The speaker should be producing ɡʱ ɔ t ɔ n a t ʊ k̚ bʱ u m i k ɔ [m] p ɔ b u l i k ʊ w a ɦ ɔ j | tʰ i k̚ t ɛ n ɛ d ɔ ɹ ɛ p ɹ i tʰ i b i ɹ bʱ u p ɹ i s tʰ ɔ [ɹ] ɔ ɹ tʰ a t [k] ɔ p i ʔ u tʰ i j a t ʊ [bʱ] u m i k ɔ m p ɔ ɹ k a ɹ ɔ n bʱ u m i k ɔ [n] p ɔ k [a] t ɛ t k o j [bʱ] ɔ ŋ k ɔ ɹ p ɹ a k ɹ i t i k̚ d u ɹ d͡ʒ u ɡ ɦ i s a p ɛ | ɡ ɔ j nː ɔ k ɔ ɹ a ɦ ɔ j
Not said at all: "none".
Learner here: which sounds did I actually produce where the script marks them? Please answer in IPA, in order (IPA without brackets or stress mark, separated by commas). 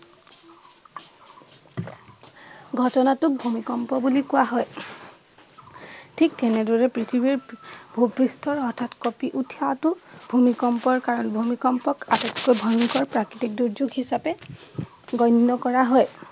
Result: m, ɹ, k, bʱ, m, a, bʱ